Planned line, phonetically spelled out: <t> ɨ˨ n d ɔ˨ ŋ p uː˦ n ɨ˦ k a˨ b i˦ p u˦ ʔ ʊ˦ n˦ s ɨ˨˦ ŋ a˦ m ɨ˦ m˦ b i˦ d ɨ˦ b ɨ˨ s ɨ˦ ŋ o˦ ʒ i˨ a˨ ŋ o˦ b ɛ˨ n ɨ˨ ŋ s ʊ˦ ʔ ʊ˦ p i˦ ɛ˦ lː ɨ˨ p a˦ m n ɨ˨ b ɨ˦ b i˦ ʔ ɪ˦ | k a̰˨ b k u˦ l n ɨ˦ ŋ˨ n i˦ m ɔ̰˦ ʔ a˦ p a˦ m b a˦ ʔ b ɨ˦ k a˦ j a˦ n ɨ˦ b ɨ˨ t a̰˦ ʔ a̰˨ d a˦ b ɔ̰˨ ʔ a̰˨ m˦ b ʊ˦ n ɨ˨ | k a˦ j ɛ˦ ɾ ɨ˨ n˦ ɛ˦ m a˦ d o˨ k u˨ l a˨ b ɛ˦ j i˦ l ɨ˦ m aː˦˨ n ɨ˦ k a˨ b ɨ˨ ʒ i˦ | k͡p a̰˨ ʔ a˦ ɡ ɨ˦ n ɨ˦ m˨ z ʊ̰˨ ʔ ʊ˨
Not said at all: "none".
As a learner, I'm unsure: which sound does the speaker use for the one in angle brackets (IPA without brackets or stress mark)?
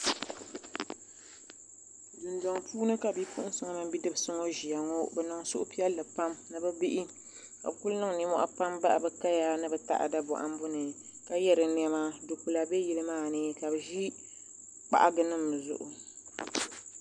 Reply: d